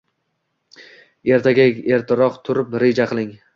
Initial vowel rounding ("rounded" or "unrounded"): unrounded